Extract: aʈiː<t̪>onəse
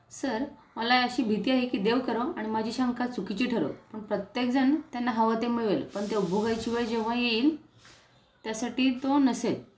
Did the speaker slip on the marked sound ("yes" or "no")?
no